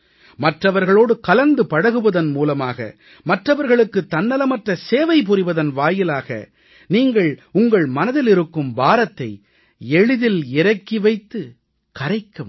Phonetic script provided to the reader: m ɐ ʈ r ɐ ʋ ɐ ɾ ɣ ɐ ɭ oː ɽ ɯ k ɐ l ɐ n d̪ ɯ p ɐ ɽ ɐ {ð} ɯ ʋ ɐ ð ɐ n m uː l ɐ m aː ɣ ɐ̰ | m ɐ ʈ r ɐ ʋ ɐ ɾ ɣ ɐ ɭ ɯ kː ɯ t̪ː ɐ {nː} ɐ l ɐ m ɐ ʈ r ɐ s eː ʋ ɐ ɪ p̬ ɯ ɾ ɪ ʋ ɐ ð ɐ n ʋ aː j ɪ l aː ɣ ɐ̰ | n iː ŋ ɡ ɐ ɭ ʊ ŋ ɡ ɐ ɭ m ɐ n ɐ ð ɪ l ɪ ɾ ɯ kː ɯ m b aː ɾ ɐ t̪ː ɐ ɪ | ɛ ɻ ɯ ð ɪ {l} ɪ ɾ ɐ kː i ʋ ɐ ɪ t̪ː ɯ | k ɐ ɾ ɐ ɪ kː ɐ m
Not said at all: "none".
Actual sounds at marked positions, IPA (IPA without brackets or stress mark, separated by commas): ɣ, nː, l